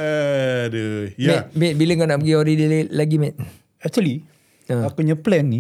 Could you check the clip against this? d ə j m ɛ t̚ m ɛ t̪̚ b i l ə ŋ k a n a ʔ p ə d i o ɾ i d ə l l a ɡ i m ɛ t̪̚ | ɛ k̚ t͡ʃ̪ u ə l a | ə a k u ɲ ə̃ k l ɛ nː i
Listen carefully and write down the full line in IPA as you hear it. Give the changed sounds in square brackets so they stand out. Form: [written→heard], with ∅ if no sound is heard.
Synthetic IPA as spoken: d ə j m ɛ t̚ m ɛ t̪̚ b i l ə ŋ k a n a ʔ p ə [d→ɡ] i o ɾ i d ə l l a ɡ i m ɛ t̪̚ | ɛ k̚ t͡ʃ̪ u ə l [a→i] | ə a k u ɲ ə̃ [k→p] l ɛ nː i